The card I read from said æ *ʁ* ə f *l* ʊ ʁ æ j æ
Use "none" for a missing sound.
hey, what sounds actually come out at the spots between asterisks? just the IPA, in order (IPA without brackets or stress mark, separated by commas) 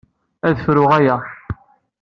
ð, ɾ